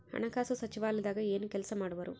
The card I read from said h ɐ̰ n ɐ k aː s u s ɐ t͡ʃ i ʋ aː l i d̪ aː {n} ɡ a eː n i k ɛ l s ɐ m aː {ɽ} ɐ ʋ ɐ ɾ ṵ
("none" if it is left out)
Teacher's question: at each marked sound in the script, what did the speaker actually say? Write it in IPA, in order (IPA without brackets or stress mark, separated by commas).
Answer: none, ɽ